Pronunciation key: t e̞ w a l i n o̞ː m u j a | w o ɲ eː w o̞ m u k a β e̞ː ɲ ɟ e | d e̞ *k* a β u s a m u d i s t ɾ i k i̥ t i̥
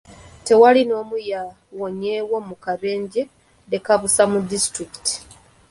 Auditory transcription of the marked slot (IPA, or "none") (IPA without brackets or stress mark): k